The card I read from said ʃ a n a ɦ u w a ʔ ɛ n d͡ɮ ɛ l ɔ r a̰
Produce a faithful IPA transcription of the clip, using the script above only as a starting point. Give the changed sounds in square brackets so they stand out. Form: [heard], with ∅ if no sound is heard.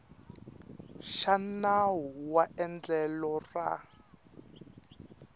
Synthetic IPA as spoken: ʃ a n a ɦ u w a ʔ ɛ n d͡ɮ ɛ l ɔ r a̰